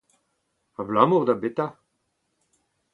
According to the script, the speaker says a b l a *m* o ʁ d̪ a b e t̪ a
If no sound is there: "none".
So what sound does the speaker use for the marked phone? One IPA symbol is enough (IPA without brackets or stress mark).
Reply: m